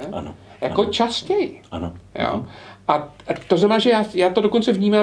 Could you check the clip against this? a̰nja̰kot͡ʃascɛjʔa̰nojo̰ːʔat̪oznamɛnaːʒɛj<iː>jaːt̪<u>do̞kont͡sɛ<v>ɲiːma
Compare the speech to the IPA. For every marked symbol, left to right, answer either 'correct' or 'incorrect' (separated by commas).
incorrect, incorrect, correct